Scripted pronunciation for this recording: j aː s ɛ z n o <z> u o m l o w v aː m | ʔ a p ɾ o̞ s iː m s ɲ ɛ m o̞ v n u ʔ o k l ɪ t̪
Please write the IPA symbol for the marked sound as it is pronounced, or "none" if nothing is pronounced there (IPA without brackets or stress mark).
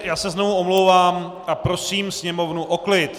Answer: v